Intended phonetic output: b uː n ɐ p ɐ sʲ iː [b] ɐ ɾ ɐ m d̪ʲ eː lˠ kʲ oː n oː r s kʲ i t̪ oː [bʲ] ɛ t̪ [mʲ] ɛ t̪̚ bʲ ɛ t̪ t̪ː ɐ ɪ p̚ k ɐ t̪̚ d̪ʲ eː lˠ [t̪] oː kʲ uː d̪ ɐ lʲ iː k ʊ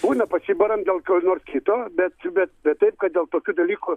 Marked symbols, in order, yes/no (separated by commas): yes, yes, no, yes